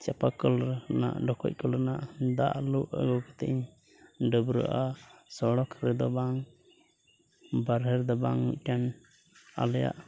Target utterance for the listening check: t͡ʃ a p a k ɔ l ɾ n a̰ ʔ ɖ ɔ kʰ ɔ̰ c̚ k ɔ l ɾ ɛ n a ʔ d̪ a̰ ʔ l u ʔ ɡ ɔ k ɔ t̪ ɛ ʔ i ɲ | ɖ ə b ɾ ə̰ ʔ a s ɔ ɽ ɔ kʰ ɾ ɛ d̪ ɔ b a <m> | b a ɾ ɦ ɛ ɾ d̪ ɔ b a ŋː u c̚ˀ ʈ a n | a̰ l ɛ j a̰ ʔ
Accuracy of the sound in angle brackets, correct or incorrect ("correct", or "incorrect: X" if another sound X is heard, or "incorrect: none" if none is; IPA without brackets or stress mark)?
incorrect: ŋ